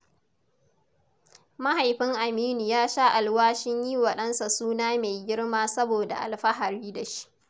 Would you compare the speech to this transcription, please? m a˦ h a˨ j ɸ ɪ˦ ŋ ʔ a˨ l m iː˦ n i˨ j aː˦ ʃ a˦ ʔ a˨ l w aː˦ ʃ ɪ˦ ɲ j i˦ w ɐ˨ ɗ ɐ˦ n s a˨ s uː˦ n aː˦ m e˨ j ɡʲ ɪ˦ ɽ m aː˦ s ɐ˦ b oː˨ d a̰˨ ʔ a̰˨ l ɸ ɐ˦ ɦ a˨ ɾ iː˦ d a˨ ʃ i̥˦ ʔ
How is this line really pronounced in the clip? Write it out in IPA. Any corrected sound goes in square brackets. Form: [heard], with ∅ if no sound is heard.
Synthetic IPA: m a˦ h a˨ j ɸ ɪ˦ ŋ ʔ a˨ [∅] m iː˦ n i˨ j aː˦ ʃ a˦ ʔ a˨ l w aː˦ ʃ ɪ˦ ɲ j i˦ w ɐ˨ ɗ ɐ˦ n s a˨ s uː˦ n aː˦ m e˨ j ɡʲ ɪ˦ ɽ m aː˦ s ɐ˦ b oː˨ d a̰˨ ʔ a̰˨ l ɸ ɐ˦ ɦ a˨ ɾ iː˦ d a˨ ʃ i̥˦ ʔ